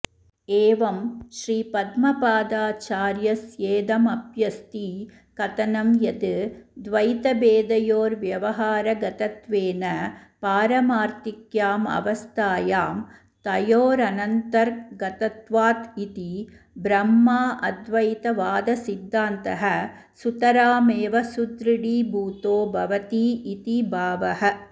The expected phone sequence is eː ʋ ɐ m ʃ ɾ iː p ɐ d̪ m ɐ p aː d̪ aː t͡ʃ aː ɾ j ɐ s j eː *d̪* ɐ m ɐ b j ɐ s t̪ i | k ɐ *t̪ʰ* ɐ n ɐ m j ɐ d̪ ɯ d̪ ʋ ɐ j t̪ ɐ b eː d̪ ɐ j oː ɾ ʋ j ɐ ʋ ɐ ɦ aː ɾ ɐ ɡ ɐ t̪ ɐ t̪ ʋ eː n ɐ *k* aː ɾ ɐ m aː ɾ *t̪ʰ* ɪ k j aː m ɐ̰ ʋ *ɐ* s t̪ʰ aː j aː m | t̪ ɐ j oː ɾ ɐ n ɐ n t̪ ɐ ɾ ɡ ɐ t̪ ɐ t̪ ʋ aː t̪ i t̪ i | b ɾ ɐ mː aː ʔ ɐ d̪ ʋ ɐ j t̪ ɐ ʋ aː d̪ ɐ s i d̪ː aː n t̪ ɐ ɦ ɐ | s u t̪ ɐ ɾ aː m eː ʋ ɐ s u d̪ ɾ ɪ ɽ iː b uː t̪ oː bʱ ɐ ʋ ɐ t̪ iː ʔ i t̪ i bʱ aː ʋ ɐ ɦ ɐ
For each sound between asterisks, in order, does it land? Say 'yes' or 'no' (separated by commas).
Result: yes, no, no, no, yes